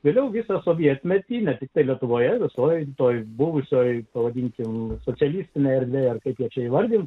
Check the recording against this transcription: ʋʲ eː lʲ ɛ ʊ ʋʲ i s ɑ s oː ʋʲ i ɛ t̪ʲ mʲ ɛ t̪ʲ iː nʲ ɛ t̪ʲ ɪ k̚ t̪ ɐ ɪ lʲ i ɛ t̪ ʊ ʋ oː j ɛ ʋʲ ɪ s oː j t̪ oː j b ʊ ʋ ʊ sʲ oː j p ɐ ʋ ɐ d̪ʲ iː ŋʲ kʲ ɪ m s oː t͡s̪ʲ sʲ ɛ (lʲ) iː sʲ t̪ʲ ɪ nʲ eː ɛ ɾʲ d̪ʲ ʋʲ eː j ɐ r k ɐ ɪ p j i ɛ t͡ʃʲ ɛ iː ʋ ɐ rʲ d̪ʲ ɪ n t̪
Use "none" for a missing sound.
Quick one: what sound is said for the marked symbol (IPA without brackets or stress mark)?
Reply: lʲ